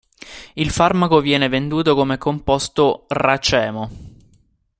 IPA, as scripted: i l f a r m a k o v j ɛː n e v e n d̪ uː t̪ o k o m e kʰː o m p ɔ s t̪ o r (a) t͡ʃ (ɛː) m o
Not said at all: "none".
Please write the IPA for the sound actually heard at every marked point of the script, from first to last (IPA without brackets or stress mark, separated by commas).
a, ɛː